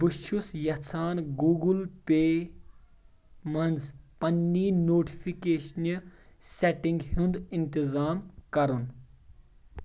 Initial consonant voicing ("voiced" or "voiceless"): voiced